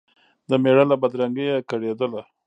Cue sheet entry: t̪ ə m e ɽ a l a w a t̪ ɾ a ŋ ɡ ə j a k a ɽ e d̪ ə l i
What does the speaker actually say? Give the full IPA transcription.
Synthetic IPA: d̪ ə m e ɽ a l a b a d̪ ɾ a ŋ ɡ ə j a k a ɽ e d̪ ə l a